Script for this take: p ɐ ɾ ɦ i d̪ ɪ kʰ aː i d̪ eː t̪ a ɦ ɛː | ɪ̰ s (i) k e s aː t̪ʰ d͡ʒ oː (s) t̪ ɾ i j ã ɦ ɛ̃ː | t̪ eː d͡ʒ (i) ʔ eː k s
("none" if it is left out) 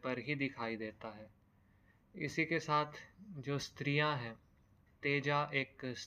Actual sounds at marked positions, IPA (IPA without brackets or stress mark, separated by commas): i, s, a